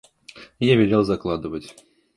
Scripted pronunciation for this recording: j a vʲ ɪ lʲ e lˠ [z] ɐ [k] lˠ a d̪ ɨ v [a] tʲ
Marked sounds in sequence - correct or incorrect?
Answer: correct, correct, incorrect: ə

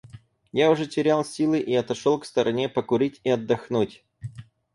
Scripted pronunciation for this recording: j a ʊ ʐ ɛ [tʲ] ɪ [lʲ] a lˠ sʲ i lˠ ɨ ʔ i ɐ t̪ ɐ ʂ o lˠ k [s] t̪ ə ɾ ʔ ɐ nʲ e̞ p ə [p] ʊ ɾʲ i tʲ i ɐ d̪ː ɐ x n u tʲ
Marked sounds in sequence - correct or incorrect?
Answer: correct, incorrect: ɾʲ, correct, incorrect: k

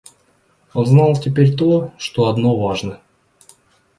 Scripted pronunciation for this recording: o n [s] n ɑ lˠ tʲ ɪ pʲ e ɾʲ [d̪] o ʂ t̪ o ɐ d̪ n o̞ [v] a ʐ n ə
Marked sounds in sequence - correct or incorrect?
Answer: incorrect: z, incorrect: t̪, correct

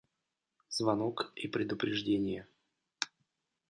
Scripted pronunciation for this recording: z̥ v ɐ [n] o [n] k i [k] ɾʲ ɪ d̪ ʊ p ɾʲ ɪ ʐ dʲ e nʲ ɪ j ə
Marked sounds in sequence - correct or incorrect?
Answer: correct, incorrect: none, incorrect: p

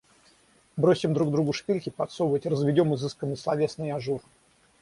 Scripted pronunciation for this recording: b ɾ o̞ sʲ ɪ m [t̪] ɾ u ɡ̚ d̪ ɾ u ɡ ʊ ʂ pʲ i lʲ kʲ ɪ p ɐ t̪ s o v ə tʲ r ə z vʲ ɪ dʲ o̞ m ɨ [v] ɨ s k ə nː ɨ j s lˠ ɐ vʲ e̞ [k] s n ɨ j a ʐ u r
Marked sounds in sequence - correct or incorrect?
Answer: incorrect: d̪, incorrect: z, incorrect: none

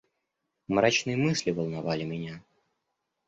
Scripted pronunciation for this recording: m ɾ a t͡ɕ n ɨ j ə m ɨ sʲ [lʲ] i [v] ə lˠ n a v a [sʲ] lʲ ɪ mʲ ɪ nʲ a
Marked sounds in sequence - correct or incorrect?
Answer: correct, correct, incorrect: none

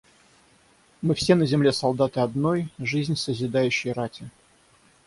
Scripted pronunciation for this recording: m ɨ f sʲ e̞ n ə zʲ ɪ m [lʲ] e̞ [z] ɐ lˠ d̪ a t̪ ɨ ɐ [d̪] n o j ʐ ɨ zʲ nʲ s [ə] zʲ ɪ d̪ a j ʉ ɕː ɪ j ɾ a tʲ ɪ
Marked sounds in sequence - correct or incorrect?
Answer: correct, incorrect: s, correct, correct

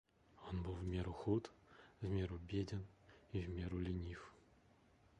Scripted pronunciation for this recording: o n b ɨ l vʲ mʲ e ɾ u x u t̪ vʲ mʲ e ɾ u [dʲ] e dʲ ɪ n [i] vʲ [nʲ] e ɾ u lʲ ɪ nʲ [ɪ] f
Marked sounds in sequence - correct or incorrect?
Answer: incorrect: bʲ, correct, incorrect: mʲ, incorrect: i

